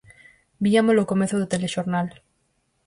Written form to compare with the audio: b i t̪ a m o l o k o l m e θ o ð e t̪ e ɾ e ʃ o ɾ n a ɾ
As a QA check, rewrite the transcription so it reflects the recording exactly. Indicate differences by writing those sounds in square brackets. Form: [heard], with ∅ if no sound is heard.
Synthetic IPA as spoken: b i [∅] a m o l o k o [∅] m e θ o ð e t̪ e [l] e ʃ o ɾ n a [l]